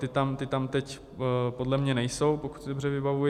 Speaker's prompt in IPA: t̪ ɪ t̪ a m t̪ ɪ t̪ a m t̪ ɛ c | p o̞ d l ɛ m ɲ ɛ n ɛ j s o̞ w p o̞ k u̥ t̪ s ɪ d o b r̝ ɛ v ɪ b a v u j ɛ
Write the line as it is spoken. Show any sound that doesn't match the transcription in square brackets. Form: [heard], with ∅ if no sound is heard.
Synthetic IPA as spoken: t̪ ɪ t̪ a m t̪ ɪ t̪ a m t̪ ɛ c | p o̞ d l ɛ m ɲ ɛ n ɛ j s o̞ w p o̞ k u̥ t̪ s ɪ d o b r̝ ɛ v ɪ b a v u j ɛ

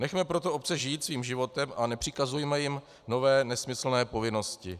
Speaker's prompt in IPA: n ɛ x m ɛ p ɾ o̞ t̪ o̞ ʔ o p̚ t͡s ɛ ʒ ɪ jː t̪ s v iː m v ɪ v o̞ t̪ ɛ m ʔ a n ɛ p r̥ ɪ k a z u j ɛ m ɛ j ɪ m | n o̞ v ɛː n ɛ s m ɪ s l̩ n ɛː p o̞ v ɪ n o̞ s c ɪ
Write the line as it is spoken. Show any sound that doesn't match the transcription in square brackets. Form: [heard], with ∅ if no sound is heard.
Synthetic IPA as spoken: n ɛ x m ɛ p ɾ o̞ t̪ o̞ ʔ o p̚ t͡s ɛ ʒ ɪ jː t̪ s v iː m [ʒ] ɪ v o̞ t̪ ɛ m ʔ a n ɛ p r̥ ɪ k a z u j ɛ m ɛ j ɪ m | n o̞ v ɛː n ɛ s m ɪ s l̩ n ɛː p o̞ v ɪ n o̞ s c ɪ

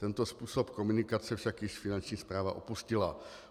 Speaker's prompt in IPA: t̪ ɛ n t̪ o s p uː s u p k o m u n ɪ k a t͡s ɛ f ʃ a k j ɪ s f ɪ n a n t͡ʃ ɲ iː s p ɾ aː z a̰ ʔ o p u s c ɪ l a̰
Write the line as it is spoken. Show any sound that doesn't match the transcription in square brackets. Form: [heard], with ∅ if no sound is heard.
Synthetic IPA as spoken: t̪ ɛ n t̪ o s p uː s [o] p k o m u n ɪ k a t͡s ɛ f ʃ a k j ɪ [ʃ] f ɪ n a n t͡ʃ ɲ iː s p ɾ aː [v] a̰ ʔ o p u s c ɪ l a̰

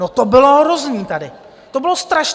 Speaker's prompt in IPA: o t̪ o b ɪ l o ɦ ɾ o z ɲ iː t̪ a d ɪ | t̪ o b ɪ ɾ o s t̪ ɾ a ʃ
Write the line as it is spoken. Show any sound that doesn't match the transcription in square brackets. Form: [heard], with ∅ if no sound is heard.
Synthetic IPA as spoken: o t̪ o b ɪ l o ɦ ɾ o z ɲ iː t̪ a d ɪ | t̪ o b ɪ [l] o s t̪ ɾ a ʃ

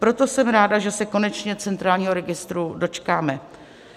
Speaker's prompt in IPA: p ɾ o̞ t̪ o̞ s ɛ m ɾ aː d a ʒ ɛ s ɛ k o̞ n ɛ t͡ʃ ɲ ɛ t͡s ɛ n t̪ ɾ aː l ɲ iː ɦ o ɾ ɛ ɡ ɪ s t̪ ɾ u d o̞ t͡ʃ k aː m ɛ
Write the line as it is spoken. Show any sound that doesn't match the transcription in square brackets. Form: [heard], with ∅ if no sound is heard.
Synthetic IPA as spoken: p ɾ o̞ t̪ o̞ s ɛ m ɾ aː d a ʒ ɛ s ɛ k o̞ n ɛ t͡ʃ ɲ ɛ t͡s ɛ n t̪ ɾ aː l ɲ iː ɦ o ɾ ɛ ɡ ɪ s t̪ ɾ u d o̞ t͡ʃ k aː m ɛ

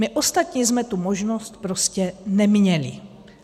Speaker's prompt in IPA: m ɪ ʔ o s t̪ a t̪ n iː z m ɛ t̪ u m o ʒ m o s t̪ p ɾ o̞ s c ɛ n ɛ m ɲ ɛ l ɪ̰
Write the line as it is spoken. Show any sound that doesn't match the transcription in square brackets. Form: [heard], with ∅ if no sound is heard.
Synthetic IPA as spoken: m ɪ ʔ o s t̪ a t̪ [ɲ] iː z m ɛ t̪ u m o ʒ [n] o s t̪ p ɾ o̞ s c ɛ n ɛ m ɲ ɛ l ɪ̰

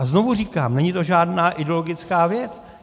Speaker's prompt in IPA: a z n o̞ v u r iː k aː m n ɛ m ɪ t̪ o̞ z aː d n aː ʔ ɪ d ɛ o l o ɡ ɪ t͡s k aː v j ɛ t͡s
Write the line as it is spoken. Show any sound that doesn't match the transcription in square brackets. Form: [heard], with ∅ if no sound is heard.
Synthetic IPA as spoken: a z n o̞ v u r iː k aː m n ɛ [ɲ] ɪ t̪ o̞ [ʒ] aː d n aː ʔ ɪ d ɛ o l o ɡ ɪ t͡s k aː v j ɛ t͡s

